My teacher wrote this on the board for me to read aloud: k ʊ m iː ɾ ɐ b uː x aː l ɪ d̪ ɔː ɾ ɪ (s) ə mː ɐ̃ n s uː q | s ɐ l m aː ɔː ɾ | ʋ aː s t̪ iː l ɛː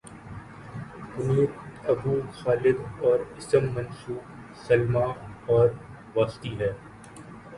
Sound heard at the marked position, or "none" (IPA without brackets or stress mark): s